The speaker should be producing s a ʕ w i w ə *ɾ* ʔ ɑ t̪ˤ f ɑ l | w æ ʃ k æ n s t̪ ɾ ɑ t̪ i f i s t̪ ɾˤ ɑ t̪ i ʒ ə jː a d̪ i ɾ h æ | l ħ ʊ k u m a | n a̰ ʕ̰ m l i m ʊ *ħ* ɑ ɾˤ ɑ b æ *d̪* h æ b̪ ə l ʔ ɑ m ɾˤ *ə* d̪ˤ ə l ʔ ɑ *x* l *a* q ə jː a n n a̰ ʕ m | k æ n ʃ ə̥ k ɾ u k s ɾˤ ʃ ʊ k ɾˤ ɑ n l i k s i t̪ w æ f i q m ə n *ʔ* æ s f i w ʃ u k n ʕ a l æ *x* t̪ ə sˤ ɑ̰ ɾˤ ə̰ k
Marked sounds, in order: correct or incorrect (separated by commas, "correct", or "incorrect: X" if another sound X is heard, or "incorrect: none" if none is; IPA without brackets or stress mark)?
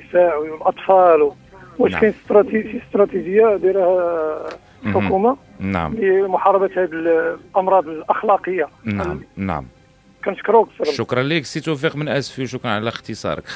incorrect: l, correct, incorrect: t̪, incorrect: ɑ, correct, incorrect: ɑ, correct, correct